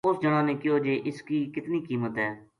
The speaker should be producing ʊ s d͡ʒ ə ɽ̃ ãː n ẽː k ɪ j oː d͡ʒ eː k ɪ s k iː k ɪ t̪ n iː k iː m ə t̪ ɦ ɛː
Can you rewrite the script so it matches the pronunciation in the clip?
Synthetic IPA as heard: ʊ s d͡ʒ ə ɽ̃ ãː n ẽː k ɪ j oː d͡ʒ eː ʔ ɪ s k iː k ɪ t̪ n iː k iː m ə t̪ ɦ ɛː